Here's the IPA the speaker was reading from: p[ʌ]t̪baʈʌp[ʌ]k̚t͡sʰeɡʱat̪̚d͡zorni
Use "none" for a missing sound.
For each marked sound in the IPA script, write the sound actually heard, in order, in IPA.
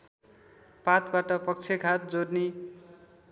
a, ʌ

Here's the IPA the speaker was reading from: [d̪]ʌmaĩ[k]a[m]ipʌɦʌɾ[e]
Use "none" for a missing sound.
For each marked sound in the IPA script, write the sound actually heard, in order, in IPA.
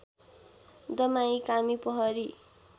d̪, k, m, i

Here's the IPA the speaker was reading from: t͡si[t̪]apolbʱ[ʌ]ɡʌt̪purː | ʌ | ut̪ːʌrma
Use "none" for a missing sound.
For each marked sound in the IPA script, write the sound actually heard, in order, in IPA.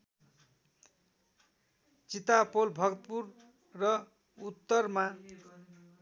t̪, ʌ

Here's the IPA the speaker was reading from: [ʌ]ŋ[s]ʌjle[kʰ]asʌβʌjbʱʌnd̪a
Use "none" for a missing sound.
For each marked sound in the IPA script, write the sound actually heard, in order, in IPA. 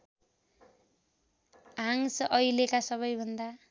a, s, k

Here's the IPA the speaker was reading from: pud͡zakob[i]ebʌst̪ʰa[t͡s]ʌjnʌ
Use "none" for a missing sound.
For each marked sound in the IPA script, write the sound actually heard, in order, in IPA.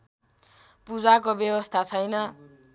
j, t͡sʰ

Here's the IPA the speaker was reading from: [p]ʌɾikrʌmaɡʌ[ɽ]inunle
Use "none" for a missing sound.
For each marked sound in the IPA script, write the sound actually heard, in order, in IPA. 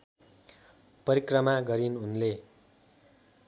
p, ɾ

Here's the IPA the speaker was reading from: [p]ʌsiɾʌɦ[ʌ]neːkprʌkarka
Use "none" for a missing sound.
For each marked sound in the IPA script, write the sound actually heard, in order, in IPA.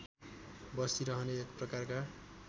b, ʌ

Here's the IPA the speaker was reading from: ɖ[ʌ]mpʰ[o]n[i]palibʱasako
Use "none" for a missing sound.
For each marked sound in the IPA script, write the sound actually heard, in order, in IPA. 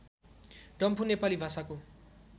ʌ, u, e

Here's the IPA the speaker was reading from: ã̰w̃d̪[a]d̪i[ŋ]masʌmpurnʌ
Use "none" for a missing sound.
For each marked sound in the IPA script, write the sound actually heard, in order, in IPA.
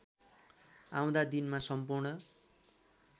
a, n

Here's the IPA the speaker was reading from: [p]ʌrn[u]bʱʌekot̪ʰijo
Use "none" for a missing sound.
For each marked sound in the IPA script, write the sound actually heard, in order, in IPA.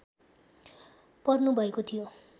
p, u

